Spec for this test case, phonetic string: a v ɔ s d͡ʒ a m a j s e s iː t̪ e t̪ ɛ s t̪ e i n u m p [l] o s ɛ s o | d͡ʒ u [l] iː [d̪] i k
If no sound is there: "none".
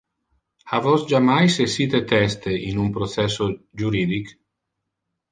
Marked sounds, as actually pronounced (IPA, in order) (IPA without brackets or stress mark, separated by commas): ɾ, ɾ, d̪